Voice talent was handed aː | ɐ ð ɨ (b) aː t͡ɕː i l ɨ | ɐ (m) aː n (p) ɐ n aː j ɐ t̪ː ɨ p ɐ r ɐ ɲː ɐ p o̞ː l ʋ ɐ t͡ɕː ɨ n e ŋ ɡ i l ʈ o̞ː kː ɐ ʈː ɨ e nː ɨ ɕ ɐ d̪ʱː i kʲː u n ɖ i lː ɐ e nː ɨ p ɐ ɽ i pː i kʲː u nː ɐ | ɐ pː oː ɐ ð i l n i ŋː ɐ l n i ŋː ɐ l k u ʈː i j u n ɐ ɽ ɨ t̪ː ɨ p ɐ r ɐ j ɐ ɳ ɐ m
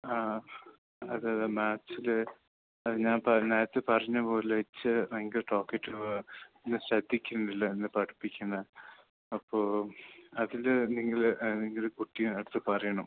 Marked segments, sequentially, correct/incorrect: incorrect: m, incorrect: ɲ, correct

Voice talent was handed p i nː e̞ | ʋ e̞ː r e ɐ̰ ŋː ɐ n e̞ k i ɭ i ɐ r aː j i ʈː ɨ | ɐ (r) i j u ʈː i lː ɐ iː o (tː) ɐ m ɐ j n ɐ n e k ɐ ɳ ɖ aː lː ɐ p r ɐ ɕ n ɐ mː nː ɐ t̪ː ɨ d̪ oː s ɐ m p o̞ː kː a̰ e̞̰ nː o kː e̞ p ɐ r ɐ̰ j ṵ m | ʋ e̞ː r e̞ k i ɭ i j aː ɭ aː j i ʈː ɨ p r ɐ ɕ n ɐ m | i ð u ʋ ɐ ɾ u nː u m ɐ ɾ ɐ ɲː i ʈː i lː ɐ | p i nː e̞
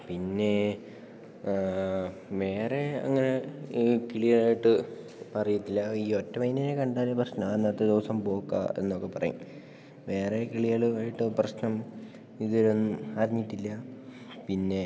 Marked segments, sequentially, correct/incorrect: correct, correct

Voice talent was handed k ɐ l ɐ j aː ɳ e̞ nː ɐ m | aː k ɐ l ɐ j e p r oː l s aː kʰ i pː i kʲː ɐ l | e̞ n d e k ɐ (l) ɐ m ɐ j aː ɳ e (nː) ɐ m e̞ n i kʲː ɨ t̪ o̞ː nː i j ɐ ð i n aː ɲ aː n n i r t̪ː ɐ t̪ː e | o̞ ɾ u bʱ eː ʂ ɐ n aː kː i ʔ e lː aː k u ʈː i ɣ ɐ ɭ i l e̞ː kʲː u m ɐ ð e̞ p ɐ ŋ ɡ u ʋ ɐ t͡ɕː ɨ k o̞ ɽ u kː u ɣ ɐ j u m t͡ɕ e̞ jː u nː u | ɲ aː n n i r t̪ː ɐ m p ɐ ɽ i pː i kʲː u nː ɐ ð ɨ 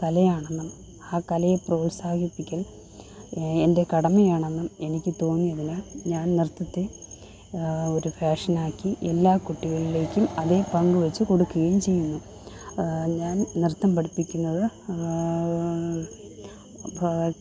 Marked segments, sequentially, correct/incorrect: incorrect: ɽ, correct

